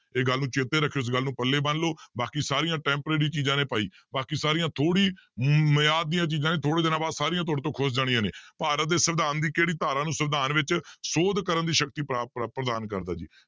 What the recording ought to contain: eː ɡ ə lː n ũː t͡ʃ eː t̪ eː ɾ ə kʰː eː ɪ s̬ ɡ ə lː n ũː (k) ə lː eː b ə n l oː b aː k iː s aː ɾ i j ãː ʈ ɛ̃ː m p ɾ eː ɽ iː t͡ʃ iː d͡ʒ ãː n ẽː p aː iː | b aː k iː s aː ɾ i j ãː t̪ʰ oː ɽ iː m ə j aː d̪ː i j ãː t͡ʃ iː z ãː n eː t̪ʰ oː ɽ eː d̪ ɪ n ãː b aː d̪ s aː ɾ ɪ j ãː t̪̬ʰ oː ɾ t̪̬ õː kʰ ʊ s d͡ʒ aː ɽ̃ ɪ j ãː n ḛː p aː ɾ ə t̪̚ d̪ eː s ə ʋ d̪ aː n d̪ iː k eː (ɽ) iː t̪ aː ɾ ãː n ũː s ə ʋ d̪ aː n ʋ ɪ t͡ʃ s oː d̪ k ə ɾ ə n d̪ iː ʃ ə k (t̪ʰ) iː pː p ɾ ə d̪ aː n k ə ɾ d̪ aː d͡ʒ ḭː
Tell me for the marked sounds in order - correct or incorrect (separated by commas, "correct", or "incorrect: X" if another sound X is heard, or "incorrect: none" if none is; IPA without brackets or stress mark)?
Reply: incorrect: p, correct, incorrect: t̪